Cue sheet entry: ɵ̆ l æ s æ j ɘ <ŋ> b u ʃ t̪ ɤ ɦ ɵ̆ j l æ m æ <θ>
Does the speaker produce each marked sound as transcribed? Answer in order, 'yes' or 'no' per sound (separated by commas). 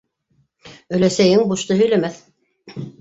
yes, yes